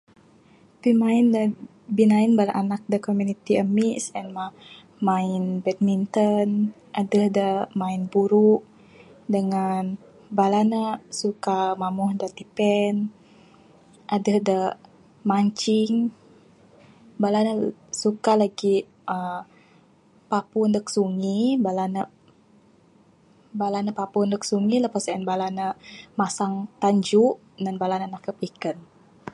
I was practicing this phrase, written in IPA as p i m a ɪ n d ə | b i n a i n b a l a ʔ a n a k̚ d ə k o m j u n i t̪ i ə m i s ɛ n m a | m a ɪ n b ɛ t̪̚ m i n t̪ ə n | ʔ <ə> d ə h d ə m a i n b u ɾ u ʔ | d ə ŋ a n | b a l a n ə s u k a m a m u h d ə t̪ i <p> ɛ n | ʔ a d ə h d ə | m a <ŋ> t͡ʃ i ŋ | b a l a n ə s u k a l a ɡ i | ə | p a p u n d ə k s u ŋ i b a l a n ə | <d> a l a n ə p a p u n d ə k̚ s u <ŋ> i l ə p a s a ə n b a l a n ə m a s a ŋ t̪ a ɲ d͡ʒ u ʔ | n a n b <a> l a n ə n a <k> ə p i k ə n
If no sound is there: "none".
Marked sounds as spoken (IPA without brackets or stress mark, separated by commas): a, p, ɲ, b, ŋ, a, k